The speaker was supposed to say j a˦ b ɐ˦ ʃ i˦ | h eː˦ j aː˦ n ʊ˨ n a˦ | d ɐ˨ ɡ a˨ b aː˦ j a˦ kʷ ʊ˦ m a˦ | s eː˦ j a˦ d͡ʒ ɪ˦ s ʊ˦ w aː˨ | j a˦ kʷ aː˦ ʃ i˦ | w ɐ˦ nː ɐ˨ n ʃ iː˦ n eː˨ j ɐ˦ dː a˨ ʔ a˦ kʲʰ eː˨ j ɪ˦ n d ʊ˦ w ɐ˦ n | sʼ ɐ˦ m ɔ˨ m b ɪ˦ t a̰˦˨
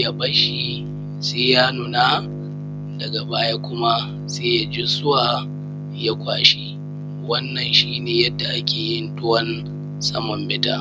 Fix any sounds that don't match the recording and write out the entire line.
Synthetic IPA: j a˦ b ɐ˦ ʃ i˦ | s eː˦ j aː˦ n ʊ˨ n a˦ | d ɐ˨ ɡ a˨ b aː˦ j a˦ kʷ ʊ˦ m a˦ | s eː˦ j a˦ d͡ʒ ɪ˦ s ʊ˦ w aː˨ | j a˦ kʷ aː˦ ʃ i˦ | w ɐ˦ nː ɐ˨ n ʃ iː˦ n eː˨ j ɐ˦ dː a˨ ʔ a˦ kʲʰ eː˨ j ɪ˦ n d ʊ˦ w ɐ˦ n | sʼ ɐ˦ m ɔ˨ m b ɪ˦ t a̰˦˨

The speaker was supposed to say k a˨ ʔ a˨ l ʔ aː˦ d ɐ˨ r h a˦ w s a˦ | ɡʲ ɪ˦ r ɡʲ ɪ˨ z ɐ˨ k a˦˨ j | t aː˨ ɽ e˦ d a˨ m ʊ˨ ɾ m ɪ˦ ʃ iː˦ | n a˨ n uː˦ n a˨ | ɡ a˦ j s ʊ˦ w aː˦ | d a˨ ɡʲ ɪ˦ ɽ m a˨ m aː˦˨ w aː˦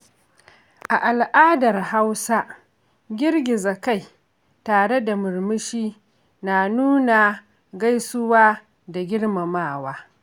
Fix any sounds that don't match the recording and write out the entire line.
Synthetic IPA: ʔ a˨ ʔ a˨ l ʔ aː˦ d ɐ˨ r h a˦ w s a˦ | ɡʲ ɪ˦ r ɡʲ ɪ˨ z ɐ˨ k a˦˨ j | t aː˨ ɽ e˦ d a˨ m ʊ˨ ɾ m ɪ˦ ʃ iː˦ | n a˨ n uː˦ n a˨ | ɡ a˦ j s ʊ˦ w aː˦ | d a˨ ɡʲ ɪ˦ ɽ m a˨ m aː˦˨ w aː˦

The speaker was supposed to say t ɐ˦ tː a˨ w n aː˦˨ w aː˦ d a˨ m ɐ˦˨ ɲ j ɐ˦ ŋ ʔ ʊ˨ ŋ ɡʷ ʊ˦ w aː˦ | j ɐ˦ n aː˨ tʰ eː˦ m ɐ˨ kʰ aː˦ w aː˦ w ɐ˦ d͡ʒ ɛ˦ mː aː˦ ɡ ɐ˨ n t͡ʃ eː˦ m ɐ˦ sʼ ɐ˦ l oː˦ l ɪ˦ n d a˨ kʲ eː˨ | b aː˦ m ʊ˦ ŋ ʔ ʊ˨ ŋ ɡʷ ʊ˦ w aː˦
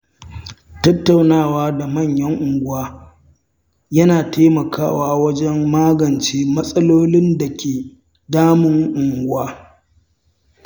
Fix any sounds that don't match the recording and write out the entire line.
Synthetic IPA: t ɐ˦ tː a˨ w n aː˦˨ w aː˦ d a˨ m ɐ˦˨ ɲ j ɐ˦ ŋ ʔ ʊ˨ ŋ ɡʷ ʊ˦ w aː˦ | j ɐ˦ n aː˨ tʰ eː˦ m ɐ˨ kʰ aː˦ w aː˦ w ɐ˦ d͡ʒ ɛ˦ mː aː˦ ɡ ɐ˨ n t͡ʃ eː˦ m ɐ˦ sʼ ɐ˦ l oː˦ l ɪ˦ n d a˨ kʲ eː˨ | d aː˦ m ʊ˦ ŋ ʔ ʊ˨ ŋ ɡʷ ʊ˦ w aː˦

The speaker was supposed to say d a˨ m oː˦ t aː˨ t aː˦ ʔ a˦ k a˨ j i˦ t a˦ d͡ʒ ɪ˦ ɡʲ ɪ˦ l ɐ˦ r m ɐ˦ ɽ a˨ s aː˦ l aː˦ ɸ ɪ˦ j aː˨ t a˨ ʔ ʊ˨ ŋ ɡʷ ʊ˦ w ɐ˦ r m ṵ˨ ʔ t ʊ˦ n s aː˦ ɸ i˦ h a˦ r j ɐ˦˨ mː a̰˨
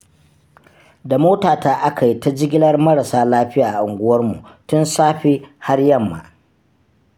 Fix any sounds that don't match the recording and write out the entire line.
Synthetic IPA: d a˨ m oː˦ t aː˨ t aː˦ ʔ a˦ k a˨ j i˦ t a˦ d͡ʒ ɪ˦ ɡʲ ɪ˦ l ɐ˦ r m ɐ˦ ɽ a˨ s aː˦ l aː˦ ɸ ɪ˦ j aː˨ ʔ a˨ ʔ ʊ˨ ŋ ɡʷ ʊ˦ w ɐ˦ r m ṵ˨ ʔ t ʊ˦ n s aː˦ ɸ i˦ h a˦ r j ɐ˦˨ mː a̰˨

